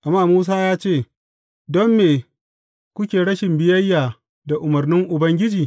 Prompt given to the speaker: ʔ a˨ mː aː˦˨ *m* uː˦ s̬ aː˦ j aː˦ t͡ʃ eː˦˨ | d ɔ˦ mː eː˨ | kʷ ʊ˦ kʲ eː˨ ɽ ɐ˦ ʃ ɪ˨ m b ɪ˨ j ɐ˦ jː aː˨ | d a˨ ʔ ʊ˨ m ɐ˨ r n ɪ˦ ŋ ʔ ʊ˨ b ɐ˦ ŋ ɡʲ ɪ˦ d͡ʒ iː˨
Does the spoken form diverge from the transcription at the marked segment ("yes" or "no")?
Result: no